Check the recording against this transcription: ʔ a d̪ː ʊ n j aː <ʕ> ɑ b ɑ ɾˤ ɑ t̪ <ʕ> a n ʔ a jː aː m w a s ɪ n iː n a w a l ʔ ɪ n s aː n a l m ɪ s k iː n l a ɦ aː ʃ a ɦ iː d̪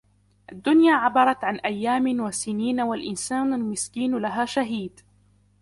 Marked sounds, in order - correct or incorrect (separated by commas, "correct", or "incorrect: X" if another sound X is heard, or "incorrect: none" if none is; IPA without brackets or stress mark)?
correct, correct